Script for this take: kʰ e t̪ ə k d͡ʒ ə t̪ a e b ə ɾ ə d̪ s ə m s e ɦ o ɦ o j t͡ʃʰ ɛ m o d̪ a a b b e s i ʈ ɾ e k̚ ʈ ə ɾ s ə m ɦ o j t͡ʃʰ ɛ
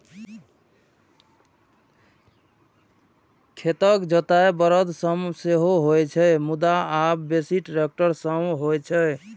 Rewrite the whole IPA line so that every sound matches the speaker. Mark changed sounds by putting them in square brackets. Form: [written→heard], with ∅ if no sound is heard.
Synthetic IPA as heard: kʰ e t̪ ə k d͡ʒ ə t̪ a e b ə ɾ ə d̪ s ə m s e ɦ o ɦ o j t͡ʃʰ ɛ m [o→u] d̪ a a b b e s i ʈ ɾ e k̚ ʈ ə ɾ s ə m ɦ o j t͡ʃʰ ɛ